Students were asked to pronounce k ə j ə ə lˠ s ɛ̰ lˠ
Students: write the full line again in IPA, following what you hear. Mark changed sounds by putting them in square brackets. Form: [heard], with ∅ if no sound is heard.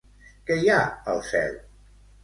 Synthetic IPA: k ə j [a] ə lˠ s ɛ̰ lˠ